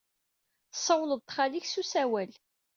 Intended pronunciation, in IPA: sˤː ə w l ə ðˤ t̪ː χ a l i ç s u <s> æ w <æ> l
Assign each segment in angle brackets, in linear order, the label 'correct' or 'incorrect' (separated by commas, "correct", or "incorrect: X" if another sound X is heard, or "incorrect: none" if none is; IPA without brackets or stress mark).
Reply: correct, correct